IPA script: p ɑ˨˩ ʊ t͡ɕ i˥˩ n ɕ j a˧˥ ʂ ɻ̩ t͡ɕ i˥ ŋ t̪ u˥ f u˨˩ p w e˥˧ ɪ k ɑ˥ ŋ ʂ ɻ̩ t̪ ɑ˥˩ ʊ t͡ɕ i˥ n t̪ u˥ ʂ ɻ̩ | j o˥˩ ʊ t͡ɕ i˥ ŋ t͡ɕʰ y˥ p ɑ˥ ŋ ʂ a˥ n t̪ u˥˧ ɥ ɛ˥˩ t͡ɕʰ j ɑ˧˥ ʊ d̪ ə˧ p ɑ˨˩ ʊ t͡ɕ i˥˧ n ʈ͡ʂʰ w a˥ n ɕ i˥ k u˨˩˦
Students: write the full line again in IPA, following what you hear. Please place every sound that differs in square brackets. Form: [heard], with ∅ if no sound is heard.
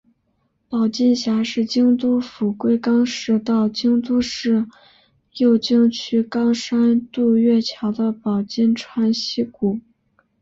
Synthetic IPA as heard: p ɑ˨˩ ʊ t͡ɕ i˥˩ n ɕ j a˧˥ ʂ ɻ̩ t͡ɕ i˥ ŋ t̪ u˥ f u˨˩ [k] w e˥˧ ɪ k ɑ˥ ŋ ʂ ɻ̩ t̪ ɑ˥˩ ʊ t͡ɕ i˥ [ŋ] t̪ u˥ ʂ ɻ̩ | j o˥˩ ʊ t͡ɕ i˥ ŋ t͡ɕʰ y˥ [k] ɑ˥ ŋ ʂ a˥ n t̪ u˥˧ ɥ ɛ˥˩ t͡ɕʰ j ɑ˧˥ ʊ d̪ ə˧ p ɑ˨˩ ʊ t͡ɕ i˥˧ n ʈ͡ʂʰ w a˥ n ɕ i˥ k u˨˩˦

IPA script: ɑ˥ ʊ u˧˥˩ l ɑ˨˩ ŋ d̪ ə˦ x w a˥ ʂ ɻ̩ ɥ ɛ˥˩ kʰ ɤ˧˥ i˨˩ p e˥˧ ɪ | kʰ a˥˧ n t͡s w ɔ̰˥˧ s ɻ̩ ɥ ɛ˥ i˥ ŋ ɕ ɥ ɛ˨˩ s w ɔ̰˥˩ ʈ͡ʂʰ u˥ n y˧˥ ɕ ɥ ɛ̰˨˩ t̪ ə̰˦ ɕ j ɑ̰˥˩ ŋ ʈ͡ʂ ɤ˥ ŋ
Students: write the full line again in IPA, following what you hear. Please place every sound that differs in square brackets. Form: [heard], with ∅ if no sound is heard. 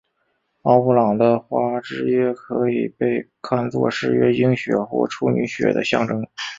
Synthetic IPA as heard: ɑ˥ ʊ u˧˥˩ l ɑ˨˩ ŋ d̪ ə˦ x w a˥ [ʈ͡ʂ] ɻ̩ ɥ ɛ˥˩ kʰ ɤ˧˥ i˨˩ p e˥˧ ɪ | kʰ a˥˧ n t͡s w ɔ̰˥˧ [ʂ] ɻ̩ ɥ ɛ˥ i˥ ŋ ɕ ɥ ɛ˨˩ [x] w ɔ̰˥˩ ʈ͡ʂʰ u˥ n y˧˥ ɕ ɥ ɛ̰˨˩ [d̪] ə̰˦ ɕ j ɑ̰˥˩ ŋ ʈ͡ʂ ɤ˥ ŋ

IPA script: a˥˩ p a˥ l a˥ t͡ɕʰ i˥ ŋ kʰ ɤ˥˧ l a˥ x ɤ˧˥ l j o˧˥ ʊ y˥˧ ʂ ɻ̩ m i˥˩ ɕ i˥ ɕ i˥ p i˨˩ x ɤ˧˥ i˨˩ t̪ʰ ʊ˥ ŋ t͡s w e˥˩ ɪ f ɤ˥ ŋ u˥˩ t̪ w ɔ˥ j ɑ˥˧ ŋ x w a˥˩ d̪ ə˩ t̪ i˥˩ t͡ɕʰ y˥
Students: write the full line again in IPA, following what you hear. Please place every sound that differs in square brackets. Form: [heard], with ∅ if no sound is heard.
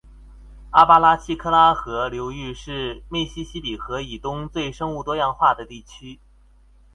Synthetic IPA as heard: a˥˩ p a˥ l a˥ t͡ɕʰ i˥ [∅] kʰ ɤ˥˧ l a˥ x ɤ˧˥ l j o˧˥ ʊ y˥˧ ʂ ɻ̩ m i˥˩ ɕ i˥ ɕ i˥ p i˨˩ x ɤ˧˥ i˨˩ [t̪] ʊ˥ ŋ t͡s w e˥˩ ɪ [ʂ] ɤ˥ ŋ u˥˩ t̪ w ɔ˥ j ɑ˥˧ ŋ x w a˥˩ d̪ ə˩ t̪ i˥˩ t͡ɕʰ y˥

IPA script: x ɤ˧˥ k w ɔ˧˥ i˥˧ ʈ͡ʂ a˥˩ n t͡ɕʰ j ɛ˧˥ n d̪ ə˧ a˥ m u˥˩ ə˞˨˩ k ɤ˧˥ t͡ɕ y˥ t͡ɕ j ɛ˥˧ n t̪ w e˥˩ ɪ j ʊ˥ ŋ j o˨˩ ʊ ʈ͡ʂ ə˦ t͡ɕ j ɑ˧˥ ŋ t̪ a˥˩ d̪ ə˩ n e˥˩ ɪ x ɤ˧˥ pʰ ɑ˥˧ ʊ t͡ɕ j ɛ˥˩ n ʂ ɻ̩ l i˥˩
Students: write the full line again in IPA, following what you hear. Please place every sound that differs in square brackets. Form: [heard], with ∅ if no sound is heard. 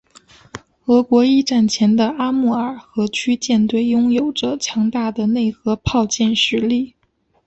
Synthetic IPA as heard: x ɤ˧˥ k w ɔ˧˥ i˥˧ ʈ͡ʂ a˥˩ n t͡ɕʰ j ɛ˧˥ n d̪ ə˧ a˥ m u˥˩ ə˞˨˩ [x] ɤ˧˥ [t͡ɕʰ] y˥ t͡ɕ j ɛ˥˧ n t̪ w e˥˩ ɪ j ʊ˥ ŋ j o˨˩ ʊ ʈ͡ʂ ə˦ [t͡ɕʰ] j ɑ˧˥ ŋ t̪ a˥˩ d̪ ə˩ n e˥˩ ɪ x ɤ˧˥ pʰ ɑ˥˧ ʊ t͡ɕ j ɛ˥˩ n ʂ ɻ̩ l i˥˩

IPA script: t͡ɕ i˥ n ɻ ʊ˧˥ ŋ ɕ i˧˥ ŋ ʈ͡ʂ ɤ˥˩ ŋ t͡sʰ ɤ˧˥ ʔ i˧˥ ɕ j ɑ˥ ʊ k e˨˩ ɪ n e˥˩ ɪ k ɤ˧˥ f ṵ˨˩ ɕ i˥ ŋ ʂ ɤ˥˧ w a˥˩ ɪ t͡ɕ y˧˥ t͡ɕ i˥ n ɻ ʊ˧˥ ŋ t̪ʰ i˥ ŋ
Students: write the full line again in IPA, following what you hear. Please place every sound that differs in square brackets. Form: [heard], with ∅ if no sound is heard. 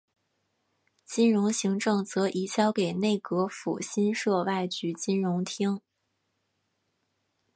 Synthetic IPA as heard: t͡ɕ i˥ n ɻ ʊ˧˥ ŋ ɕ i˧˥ ŋ ʈ͡ʂ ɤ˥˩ ŋ [t͡s] ɤ˧˥ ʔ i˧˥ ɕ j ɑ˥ ʊ k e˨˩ ɪ n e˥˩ ɪ k ɤ˧˥ f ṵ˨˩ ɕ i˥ [n] ʂ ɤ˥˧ w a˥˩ ɪ t͡ɕ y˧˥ t͡ɕ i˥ n ɻ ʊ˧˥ ŋ t̪ʰ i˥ ŋ

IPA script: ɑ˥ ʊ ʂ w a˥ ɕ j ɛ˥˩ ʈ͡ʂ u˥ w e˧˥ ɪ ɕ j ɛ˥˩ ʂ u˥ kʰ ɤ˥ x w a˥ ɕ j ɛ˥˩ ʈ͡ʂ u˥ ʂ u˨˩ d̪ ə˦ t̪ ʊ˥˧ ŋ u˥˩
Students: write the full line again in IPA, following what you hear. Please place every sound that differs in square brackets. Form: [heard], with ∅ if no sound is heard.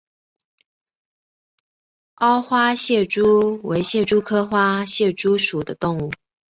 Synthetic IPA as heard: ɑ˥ ʊ [x] w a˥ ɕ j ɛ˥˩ ʈ͡ʂ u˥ w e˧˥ ɪ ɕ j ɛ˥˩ [ʈ͡ʂ] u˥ kʰ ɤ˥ x w a˥ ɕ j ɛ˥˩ ʈ͡ʂ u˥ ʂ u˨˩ d̪ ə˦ t̪ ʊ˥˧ ŋ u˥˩

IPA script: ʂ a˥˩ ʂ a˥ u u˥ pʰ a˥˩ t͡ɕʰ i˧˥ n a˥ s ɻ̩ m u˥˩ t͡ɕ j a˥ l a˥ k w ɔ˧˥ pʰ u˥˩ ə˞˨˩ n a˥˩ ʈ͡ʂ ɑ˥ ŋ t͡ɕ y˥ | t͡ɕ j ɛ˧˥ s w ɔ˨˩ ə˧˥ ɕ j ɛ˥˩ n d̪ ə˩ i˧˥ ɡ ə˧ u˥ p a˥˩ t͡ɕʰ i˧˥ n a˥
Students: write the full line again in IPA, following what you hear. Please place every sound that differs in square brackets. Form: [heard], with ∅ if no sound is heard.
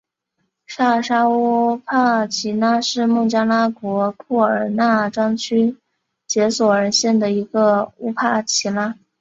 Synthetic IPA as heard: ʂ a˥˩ ʂ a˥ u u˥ pʰ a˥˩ t͡ɕʰ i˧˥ n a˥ [ʂ] ɻ̩ m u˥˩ t͡ɕ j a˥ l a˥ k w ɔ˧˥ [kʰ] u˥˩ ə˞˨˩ n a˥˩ ʈ͡ʂ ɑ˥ ŋ [t͡ɕʰ] y˥ | t͡ɕ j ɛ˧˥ s w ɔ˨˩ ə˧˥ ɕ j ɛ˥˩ n d̪ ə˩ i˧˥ ɡ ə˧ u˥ [pʰ] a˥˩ t͡ɕʰ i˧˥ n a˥

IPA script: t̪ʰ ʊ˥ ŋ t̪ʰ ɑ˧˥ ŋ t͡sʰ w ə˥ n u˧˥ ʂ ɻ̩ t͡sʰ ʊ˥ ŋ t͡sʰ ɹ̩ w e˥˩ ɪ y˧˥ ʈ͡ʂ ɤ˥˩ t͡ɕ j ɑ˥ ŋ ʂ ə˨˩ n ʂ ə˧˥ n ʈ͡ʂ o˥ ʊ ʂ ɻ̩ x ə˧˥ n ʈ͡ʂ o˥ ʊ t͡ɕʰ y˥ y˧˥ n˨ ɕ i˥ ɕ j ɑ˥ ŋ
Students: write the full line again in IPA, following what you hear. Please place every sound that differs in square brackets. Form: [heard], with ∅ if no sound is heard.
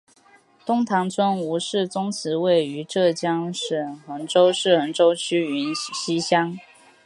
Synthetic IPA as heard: [t̪] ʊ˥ ŋ t̪ʰ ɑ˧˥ ŋ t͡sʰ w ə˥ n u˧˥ ʂ ɻ̩ [t͡s] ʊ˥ ŋ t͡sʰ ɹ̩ w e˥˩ ɪ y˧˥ ʈ͡ʂ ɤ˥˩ t͡ɕ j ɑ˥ ŋ ʂ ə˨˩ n [x] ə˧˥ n ʈ͡ʂ o˥ ʊ ʂ ɻ̩ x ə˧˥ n ʈ͡ʂ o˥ ʊ t͡ɕʰ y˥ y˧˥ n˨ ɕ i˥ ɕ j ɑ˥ ŋ

